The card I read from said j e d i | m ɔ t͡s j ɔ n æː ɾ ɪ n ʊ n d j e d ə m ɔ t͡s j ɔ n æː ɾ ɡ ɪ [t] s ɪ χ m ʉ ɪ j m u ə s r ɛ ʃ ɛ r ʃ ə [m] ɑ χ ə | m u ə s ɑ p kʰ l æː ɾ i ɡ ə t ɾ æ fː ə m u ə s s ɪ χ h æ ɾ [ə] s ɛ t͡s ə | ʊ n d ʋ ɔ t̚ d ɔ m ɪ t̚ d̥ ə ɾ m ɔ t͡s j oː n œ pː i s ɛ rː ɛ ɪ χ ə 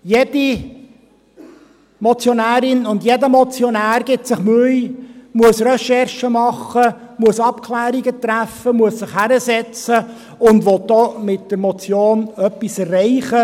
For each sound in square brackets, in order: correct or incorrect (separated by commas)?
correct, correct, correct